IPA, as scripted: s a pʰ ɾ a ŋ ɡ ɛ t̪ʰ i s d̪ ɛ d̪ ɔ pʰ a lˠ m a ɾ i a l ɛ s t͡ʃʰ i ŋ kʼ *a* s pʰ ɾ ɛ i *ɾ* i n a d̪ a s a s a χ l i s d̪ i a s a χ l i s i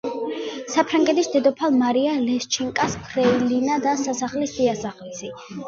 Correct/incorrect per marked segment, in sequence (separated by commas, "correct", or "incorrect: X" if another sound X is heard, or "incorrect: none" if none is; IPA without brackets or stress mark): correct, incorrect: l